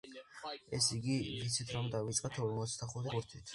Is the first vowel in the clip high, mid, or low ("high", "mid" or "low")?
mid